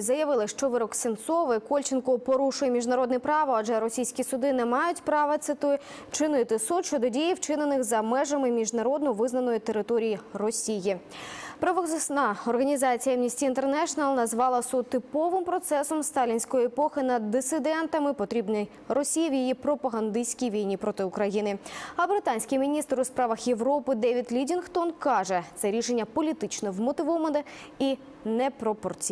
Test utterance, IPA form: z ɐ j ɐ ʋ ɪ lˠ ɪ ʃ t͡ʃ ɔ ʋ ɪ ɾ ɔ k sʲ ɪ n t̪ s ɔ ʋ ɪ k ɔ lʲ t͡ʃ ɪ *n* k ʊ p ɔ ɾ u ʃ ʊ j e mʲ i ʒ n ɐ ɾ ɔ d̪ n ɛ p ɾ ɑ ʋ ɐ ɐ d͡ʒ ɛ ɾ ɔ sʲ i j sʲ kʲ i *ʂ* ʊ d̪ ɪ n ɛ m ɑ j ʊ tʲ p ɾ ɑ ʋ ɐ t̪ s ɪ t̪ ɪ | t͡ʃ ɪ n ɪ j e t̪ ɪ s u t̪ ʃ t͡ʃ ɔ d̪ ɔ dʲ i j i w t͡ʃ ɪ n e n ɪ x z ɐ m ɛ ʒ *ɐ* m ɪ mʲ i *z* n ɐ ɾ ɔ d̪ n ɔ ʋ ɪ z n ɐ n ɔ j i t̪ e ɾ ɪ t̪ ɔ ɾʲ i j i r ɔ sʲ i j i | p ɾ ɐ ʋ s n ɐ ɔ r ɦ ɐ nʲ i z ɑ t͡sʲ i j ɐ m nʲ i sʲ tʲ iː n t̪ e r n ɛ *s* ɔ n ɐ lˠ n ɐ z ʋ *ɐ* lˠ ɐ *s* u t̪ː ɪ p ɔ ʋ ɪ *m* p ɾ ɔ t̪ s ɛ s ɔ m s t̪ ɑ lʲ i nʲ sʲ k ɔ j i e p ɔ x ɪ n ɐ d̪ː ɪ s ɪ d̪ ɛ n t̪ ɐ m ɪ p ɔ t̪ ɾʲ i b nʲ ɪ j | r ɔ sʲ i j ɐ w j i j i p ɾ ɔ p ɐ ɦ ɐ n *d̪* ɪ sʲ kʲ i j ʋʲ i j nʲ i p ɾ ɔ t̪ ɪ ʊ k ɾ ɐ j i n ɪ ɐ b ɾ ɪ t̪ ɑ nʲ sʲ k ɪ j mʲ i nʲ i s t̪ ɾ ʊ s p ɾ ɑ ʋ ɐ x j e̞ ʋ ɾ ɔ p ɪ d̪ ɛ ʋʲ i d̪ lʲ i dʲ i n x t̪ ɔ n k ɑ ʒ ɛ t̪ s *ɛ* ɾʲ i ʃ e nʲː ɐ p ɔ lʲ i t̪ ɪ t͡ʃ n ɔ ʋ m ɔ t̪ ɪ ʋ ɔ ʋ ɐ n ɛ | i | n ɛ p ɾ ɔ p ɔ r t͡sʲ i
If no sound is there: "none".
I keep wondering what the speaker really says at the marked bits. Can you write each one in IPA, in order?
n, s, ɐ, ʒ, ʃ, ɑ, s, m, d̪, ɛ

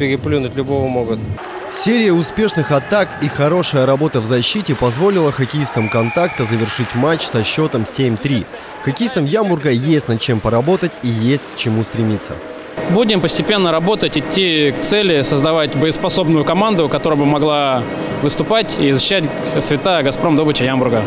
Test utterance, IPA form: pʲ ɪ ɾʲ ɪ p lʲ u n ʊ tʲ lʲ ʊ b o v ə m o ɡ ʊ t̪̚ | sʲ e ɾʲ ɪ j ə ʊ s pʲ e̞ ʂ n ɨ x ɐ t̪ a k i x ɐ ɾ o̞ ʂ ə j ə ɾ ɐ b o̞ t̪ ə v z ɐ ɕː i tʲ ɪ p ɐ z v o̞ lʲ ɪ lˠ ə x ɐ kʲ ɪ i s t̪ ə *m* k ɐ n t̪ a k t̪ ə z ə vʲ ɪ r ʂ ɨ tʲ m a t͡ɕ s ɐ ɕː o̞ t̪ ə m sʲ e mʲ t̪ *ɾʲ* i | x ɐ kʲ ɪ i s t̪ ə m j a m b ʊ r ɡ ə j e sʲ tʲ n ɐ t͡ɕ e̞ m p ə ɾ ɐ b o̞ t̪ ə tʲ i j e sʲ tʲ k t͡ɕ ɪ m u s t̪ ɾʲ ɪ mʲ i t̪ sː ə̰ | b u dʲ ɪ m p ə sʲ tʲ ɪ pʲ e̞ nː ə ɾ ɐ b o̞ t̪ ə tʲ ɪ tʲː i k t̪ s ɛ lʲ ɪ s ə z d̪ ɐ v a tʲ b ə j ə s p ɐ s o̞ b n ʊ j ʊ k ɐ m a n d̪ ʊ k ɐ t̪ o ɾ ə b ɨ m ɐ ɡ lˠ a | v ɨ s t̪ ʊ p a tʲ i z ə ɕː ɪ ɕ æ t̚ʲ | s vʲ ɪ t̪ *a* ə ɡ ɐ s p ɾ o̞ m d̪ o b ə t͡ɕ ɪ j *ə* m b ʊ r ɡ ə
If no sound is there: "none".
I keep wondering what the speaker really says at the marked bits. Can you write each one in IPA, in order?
m, ɾʲ, a, a

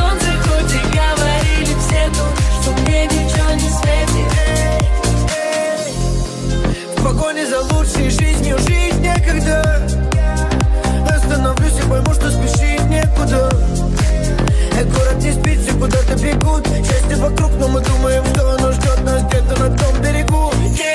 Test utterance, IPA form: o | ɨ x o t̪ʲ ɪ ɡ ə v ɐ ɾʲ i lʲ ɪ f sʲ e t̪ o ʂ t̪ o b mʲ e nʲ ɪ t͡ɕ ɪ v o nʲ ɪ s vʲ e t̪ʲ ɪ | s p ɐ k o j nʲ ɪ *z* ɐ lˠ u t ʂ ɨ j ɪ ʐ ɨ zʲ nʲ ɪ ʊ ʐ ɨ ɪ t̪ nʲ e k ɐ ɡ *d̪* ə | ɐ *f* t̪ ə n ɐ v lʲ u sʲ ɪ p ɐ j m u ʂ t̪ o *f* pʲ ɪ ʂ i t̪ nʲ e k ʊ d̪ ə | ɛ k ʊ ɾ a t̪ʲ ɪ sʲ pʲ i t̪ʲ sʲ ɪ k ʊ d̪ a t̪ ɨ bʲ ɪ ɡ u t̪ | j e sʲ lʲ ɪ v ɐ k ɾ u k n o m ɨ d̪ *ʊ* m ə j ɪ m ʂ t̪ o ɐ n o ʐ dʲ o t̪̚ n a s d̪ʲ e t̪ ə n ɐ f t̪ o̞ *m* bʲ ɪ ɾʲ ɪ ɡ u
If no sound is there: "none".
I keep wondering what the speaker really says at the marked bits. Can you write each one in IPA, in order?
z, d̪, s, s, u, m

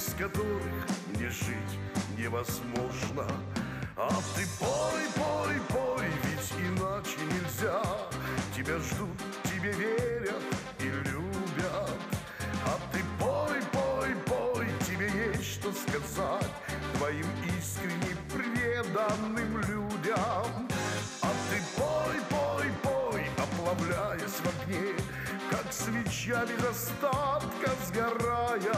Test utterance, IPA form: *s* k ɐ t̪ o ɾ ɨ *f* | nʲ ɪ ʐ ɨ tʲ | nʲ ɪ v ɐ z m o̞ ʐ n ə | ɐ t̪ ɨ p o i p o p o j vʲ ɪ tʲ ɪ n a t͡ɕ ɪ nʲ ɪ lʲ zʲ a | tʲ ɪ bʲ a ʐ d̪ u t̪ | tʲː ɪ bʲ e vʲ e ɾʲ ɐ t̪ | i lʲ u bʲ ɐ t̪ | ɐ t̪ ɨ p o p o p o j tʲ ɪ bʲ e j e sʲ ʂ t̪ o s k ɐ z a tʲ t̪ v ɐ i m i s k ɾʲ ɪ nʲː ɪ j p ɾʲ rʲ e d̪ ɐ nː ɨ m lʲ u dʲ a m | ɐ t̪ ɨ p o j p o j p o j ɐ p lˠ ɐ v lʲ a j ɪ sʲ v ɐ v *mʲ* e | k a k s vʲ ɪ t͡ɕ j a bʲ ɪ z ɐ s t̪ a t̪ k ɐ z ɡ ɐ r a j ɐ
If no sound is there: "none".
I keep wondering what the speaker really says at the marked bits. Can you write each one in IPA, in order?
s, x, nʲ

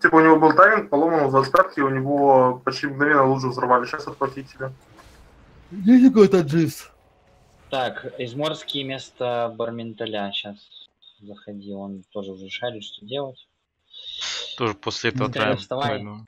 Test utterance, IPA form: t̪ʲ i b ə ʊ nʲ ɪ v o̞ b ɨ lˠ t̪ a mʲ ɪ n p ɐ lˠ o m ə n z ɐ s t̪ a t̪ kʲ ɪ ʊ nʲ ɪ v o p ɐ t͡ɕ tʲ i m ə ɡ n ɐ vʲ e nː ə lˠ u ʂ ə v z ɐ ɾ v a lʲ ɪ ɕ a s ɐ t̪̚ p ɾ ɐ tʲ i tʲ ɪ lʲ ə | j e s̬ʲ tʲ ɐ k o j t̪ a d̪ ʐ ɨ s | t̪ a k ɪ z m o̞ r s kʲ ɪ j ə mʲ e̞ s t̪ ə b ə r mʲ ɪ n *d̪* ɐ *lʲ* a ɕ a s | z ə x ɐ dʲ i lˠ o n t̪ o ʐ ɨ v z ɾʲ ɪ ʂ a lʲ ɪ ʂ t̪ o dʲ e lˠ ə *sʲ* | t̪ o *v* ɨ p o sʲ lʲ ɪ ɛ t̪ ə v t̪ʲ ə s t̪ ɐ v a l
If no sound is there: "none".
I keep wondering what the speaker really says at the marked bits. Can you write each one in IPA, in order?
t̪, lʲ, tʲ, ʐ

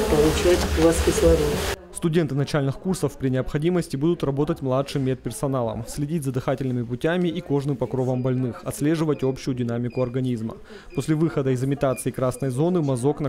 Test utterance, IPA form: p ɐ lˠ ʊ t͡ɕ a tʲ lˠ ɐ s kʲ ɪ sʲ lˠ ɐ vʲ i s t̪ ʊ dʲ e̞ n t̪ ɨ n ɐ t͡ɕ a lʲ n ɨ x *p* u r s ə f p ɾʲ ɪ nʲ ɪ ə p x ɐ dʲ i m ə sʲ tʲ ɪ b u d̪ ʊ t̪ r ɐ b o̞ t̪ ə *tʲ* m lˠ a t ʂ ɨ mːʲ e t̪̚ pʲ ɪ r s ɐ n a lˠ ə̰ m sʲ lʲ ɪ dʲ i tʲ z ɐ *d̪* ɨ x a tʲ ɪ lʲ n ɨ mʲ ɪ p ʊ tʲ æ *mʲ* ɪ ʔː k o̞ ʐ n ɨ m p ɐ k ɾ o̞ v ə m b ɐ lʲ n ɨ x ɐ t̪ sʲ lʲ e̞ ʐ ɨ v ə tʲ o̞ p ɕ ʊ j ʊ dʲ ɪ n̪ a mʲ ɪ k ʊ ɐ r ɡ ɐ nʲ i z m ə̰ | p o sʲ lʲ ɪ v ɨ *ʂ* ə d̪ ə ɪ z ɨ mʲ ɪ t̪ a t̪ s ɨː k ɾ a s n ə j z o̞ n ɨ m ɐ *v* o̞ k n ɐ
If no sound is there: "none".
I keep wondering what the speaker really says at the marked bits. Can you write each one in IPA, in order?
k, tʲ, d̪, mʲ, x, z

